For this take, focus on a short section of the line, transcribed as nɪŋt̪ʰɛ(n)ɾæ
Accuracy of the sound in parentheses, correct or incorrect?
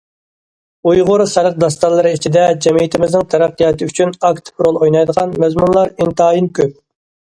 incorrect